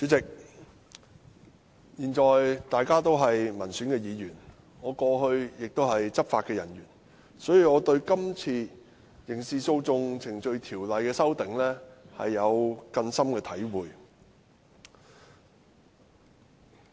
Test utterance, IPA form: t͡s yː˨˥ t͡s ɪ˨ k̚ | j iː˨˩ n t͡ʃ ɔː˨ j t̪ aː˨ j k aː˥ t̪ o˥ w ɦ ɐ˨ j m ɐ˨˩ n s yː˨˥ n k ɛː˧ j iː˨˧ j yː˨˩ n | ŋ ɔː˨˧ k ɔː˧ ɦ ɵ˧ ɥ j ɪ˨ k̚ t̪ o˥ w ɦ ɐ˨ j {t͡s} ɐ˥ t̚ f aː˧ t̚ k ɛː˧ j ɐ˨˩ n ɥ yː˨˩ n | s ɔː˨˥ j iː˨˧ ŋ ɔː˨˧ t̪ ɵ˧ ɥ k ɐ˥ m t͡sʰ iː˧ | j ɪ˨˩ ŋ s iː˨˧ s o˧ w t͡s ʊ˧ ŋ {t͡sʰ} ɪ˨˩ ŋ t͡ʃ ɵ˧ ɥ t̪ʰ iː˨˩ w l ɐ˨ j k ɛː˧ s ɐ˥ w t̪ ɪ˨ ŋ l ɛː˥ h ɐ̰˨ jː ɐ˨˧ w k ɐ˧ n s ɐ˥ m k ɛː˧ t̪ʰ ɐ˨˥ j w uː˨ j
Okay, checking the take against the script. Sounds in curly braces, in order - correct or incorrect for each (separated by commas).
correct, correct